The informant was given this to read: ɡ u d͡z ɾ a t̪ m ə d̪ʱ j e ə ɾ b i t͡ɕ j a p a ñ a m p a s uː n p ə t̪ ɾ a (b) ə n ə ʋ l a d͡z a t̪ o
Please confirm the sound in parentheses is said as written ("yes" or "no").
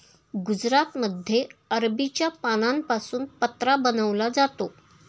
yes